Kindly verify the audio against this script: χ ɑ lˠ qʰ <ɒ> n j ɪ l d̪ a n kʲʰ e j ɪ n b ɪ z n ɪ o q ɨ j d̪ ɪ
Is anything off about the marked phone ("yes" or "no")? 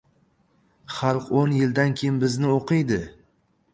yes